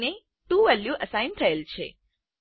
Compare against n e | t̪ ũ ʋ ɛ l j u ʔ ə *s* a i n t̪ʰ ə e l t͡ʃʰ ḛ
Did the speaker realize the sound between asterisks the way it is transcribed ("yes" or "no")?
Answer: yes